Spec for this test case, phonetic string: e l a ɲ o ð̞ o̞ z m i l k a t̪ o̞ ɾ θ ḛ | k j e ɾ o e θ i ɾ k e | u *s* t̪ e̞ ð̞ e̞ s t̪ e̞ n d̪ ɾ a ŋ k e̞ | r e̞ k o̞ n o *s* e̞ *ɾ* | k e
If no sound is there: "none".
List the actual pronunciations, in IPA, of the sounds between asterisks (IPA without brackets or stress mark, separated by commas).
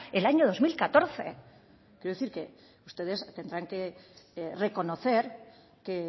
s, θ, ɾ